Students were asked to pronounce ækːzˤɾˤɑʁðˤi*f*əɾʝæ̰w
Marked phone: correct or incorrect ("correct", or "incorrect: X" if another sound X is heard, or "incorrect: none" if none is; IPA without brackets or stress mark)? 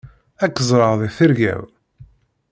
incorrect: θ